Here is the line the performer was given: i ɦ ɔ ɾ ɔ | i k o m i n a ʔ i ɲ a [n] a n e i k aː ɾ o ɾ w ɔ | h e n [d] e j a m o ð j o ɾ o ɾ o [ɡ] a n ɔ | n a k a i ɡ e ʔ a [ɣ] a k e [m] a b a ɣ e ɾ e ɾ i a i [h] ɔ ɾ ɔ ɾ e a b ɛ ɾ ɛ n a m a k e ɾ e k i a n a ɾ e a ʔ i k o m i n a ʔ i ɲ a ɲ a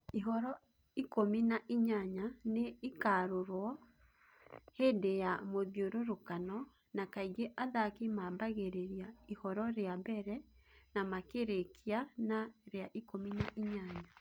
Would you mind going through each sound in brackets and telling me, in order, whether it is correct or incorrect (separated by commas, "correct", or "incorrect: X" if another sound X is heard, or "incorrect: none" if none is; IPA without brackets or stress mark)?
incorrect: ɲ, correct, incorrect: k, incorrect: ð, correct, correct